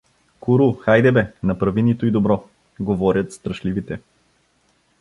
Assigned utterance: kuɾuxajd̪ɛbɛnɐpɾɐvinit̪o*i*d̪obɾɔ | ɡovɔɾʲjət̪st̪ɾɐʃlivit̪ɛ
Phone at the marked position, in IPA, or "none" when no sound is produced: i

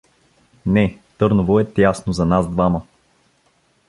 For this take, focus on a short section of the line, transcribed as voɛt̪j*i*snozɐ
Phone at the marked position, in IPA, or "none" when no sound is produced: a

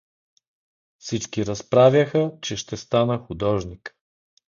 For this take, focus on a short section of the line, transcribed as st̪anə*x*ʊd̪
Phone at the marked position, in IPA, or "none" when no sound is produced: x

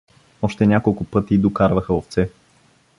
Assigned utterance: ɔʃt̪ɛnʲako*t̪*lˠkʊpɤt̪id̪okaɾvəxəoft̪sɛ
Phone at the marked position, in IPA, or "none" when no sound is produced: none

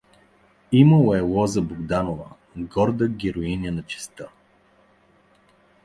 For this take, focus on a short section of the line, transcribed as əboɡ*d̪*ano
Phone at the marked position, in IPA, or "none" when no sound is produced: d̪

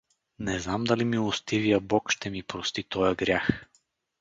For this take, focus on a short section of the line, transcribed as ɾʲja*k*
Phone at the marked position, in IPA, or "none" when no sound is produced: x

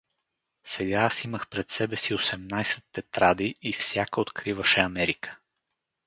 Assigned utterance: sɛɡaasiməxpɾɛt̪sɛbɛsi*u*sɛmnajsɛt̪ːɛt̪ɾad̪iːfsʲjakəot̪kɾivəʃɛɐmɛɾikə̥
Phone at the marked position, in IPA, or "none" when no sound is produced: o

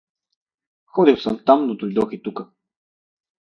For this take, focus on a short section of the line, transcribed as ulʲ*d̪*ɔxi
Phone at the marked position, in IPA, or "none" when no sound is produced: d̪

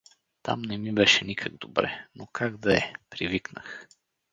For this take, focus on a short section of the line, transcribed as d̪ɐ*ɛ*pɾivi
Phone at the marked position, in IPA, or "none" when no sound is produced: ɛ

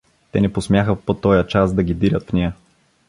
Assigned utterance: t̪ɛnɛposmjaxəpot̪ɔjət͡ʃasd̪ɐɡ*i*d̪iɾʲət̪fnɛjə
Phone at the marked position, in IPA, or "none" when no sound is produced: i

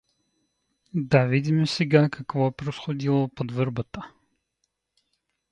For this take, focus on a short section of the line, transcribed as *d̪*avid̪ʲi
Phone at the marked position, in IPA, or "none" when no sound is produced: d̪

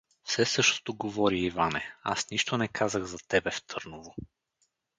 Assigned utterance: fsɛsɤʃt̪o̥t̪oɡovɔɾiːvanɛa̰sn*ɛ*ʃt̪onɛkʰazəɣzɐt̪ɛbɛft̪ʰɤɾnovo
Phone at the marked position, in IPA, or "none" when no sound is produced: i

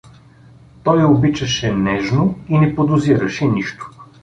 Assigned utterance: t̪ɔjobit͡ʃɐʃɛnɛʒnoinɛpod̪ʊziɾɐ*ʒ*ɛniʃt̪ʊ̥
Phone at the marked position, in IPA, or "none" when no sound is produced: ʃ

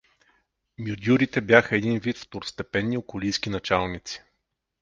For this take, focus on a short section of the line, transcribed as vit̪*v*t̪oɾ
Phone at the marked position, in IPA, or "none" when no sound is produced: f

